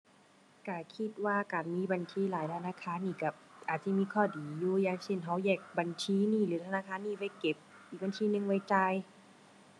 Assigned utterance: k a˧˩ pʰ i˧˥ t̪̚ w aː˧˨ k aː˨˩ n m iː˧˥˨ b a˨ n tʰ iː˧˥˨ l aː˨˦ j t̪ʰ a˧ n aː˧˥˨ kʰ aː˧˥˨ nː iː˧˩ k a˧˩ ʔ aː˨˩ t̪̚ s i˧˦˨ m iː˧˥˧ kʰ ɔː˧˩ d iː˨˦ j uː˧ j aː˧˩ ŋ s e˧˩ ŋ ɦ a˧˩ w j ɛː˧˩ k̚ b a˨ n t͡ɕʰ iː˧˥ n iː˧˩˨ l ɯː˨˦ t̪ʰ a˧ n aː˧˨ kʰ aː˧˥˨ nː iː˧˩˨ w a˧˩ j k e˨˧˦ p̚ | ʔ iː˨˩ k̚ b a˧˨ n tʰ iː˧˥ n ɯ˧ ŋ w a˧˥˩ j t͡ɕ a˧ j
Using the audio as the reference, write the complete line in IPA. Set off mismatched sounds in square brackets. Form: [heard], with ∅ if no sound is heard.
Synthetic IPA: k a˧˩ [kʰ] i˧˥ t̪̚ w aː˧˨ k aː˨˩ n m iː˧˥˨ b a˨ n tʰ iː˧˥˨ l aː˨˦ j t̪ʰ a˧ n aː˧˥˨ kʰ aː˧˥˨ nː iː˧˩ k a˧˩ ʔ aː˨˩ t̪̚ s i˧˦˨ m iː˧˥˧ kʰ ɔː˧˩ d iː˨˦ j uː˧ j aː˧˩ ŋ s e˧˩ [n] ɦ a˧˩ w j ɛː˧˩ k̚ b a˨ n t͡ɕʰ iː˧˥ n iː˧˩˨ l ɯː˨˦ t̪ʰ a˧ n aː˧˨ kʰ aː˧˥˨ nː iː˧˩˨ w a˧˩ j k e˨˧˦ p̚ | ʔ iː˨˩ k̚ b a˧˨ n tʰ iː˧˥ n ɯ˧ ŋ w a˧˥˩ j t͡ɕ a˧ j